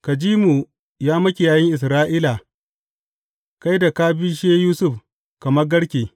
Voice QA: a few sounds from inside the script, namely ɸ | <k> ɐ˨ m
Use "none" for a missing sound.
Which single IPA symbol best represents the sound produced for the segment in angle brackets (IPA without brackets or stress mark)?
k